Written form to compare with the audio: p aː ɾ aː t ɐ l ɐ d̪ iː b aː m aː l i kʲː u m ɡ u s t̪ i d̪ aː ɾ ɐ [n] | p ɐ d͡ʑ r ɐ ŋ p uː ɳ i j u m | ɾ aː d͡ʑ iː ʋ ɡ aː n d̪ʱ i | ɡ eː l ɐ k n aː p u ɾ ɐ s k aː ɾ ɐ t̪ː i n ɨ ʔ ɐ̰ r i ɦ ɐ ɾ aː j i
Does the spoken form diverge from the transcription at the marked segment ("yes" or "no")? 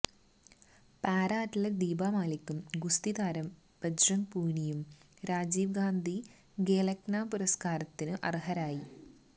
yes